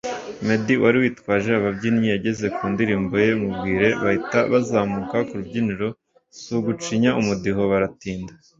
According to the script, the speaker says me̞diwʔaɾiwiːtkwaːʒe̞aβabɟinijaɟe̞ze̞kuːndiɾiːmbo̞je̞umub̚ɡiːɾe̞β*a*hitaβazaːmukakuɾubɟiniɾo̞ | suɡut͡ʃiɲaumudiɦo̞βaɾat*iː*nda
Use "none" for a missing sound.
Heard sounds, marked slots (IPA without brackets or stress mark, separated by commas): a, iː